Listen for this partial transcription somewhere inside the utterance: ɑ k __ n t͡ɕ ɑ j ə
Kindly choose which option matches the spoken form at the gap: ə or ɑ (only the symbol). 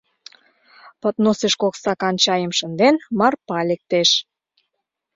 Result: ɑ